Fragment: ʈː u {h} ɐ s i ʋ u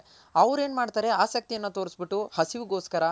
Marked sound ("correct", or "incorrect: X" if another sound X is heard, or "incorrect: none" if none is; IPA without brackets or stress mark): correct